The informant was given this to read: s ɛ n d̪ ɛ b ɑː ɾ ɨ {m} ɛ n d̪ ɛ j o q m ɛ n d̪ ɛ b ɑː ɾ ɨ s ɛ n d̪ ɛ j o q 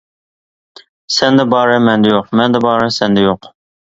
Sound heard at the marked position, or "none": m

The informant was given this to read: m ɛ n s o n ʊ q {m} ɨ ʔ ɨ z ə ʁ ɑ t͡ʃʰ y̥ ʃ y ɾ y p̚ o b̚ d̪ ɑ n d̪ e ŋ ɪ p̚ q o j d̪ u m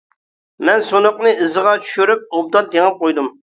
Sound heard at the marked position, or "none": n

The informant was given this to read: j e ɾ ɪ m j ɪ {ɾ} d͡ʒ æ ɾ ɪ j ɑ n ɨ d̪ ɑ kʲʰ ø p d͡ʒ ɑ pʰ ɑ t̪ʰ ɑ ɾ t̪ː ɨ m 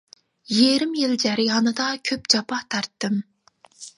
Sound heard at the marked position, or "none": l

